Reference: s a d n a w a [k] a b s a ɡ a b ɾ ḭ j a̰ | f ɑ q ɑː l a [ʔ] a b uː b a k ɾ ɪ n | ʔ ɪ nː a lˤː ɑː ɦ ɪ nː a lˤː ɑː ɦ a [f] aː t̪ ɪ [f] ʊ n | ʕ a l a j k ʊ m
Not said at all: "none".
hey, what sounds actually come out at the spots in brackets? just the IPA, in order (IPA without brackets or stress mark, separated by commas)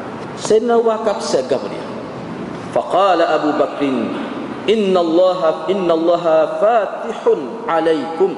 k, ʔ, f, ħ